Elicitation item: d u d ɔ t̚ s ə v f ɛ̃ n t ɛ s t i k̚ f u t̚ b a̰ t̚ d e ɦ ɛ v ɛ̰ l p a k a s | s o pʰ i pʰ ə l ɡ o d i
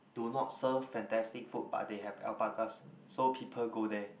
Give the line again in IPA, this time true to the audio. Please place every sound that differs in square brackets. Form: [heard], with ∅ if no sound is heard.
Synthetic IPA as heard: d u [n] ɔ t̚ s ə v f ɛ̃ n t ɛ s t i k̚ f u t̚ b a̰ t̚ d e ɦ ɛ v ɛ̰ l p a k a s | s o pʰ i pʰ ə l ɡ o d [ɛ]